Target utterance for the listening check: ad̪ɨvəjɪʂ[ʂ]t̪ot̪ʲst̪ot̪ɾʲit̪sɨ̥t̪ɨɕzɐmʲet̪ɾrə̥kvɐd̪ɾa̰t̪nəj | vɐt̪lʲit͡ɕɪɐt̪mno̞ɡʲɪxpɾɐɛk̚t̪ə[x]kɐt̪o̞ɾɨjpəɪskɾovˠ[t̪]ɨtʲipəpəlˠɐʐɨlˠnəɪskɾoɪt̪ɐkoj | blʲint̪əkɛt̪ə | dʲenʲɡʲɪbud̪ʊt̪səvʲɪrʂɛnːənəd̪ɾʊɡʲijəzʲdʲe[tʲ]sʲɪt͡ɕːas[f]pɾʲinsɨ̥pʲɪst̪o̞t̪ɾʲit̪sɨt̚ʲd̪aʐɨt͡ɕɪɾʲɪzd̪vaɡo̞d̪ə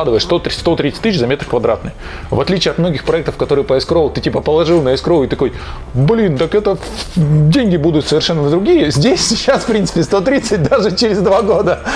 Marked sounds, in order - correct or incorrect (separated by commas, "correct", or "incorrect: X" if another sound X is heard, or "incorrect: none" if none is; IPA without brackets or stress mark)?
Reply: incorrect: s, incorrect: f, correct, incorrect: sʲ, correct